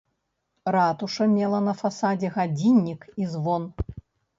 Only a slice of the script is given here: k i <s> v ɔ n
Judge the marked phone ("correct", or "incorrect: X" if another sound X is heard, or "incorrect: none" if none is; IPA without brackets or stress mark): incorrect: z